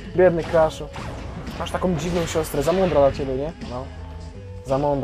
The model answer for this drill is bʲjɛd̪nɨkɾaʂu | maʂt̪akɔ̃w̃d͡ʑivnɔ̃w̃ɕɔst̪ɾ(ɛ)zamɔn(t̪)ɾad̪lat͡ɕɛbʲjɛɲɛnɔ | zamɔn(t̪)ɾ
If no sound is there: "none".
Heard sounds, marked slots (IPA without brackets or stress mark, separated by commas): ɛ, d̪, d̪